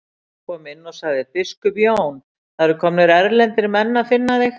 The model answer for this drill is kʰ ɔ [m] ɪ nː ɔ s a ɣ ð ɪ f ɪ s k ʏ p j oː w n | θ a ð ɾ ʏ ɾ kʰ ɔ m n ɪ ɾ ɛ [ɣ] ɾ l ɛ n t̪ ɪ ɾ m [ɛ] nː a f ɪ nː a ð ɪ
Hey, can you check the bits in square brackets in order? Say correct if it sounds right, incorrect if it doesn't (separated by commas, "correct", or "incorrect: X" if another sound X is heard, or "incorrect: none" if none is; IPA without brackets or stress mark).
correct, incorrect: none, correct